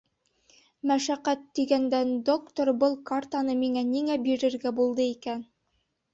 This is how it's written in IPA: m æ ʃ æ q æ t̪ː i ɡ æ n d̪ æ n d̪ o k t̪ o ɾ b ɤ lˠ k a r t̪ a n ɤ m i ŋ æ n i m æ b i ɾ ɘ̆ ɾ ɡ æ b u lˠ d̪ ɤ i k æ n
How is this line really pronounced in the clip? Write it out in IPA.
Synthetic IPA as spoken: m æ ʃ æ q æ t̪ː i ɡ æ n d̪ æ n d̪ o k t̪ o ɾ b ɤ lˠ k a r t̪ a n ɤ m i ŋ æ n i ŋ æ b i ɾ ɘ̆ ɾ ɡ æ b u lˠ d̪ ɤ i k æ n